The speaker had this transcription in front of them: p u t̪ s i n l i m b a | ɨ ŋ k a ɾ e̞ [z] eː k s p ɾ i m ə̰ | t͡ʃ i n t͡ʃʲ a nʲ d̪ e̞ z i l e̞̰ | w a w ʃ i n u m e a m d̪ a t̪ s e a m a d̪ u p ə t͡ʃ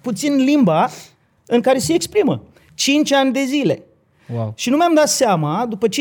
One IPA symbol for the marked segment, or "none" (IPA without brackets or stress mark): s